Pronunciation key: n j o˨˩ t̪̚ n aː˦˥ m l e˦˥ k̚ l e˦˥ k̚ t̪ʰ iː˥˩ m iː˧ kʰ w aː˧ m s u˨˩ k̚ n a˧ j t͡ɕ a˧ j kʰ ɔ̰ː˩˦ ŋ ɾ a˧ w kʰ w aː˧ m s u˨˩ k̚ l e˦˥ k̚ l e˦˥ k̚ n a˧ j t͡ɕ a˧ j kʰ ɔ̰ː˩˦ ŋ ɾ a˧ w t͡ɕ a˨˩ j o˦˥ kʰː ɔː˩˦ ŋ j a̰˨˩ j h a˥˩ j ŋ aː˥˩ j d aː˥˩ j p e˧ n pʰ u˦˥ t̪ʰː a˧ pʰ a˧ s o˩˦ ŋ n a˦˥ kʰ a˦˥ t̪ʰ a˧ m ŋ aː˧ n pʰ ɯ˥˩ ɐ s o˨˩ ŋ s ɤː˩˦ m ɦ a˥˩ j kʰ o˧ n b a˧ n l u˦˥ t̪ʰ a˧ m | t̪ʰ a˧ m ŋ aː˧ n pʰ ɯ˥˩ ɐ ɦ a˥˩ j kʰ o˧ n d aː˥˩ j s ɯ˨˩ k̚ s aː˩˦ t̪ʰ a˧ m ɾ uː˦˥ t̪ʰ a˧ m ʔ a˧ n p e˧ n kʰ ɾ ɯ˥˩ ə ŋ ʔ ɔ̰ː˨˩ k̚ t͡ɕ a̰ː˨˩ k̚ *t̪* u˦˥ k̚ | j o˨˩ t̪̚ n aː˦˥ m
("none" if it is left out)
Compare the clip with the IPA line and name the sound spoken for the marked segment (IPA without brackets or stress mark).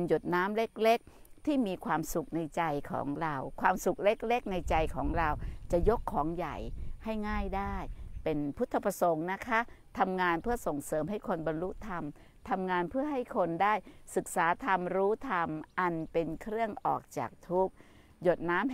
t̪ʰ